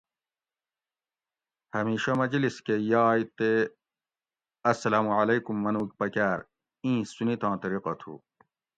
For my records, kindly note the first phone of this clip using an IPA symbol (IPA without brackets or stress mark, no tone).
h